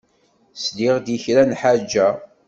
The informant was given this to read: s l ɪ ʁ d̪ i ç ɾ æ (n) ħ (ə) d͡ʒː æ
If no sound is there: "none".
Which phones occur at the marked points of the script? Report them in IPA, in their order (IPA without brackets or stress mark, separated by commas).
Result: n, a